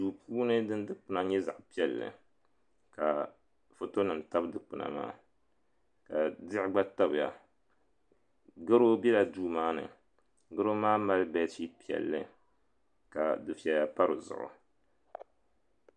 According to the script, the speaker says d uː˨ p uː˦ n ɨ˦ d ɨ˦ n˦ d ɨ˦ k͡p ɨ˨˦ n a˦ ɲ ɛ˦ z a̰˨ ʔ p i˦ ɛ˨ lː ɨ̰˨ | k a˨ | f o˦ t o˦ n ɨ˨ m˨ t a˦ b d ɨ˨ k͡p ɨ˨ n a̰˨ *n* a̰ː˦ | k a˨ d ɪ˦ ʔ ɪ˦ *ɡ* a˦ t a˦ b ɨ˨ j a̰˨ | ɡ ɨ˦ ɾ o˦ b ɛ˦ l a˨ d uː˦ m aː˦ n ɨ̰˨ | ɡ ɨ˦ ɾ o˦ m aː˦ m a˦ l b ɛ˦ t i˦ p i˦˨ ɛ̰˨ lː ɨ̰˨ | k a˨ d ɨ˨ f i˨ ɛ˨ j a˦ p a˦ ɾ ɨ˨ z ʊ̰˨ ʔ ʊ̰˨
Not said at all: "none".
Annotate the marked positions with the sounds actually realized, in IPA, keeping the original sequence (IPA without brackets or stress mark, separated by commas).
m, ɡ͡b